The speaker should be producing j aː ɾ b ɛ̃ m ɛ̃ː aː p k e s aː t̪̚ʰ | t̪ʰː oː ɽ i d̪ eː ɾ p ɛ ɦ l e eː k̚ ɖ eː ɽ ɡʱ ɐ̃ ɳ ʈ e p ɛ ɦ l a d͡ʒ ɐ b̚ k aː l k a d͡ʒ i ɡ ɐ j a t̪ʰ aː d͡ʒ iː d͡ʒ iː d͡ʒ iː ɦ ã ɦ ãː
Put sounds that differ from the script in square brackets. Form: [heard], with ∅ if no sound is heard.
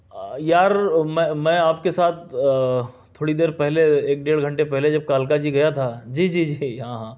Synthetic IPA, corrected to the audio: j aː ɾ [m] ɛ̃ m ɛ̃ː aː p k e s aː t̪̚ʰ | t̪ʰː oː ɽ i d̪ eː ɾ p ɛ ɦ l e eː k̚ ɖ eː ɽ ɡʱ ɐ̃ ɳ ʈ e p ɛ ɦ l [e] d͡ʒ ɐ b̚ k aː l k a d͡ʒ i ɡ ɐ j a t̪ʰ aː d͡ʒ iː d͡ʒ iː d͡ʒ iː ɦ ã ɦ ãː